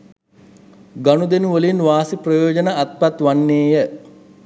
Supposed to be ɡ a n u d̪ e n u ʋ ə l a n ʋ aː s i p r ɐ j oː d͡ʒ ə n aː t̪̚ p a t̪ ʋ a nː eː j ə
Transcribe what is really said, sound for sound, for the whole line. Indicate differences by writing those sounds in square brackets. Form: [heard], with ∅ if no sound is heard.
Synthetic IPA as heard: ɡ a n u d̪ e n u ʋ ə l [i] n ʋ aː s i p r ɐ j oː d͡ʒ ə n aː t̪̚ p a t̪ ʋ a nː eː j ə